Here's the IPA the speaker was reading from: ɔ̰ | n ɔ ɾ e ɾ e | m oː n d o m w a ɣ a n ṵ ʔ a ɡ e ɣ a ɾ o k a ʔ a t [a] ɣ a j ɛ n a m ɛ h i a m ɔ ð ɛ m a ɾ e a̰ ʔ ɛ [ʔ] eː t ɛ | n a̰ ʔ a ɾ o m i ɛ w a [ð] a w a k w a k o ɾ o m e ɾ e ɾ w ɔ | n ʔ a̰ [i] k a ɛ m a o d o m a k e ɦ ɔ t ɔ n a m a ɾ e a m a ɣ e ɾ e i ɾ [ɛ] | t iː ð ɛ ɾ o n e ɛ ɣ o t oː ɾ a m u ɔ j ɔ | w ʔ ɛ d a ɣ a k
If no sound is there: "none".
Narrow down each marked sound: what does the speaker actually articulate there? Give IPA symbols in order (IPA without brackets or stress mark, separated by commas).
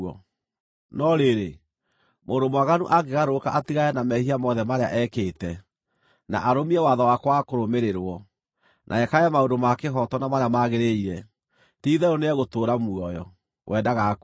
i, k, ð, ɛ, ɛ